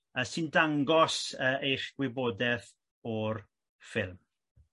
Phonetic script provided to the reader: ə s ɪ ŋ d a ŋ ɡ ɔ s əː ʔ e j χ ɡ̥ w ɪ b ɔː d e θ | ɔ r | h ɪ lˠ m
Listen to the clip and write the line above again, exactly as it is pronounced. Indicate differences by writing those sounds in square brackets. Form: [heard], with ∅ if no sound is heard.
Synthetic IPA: ə s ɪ [n] d a ŋ ɡ ɔ s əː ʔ e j χ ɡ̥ w ɪ b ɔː d [ɛ] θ | ɔ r | [f] ɪ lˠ m